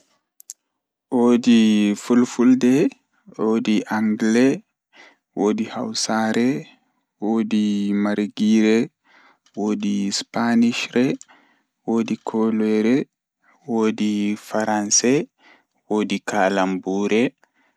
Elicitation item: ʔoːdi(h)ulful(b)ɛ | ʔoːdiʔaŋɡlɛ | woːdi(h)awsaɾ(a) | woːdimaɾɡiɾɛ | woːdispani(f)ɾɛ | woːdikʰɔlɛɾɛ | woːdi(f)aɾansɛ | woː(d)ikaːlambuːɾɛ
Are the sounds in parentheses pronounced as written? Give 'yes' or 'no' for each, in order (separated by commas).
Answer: no, no, yes, no, no, yes, yes